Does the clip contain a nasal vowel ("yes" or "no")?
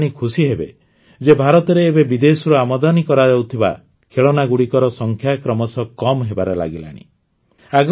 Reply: no